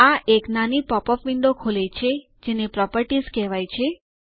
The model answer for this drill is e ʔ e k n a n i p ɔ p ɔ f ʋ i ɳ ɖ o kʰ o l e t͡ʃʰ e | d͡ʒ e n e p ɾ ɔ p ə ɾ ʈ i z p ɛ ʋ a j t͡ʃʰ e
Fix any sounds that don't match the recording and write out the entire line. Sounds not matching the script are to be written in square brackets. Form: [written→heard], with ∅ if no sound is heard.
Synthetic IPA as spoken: [e→a] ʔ e k n a n i p ɔ p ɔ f ʋ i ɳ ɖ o kʰ o l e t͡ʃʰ e | d͡ʒ e n e p ɾ ɔ p ə ɾ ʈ i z [p→k] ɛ ʋ a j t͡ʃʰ e